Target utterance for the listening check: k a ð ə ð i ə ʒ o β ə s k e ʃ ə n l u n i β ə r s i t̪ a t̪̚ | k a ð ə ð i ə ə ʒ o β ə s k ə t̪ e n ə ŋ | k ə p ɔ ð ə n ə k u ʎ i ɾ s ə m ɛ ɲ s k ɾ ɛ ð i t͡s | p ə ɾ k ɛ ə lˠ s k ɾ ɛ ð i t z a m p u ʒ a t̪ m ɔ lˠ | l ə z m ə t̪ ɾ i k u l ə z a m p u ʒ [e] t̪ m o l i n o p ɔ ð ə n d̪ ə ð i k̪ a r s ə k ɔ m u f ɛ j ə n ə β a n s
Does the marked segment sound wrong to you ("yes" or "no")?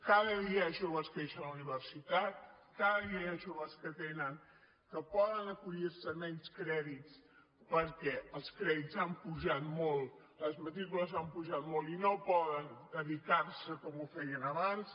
yes